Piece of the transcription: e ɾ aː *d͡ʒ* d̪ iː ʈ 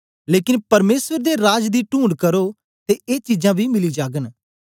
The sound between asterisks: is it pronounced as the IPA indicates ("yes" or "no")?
yes